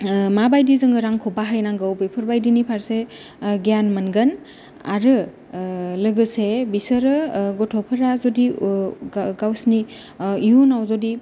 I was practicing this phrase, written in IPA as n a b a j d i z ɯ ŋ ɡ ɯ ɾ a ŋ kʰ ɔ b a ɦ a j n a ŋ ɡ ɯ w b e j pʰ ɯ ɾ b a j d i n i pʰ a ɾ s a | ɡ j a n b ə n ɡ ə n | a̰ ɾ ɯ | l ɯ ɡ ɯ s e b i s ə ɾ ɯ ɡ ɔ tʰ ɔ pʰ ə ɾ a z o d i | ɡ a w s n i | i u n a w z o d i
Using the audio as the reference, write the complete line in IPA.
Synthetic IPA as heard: m a b a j d i z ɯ ŋ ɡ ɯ ɾ a ŋ kʰ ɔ b a ɦ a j n a ŋ ɡ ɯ w b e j pʰ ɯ ɾ b a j d i n i pʰ a ɾ s e | ɡ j a n m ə n ɡ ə n | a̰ ɾ ɯ | l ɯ ɡ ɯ s e b i s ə ɾ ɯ ɡ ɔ tʰ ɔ pʰ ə ɾ a z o d i | ɡ a w s n i | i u n a w z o d i